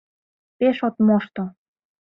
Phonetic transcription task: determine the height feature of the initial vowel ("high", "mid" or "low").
mid